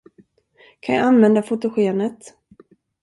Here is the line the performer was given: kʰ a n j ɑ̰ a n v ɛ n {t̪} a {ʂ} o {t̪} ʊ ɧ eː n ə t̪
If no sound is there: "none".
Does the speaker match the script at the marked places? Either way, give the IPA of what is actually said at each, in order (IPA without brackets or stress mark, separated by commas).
d̪, f, t̪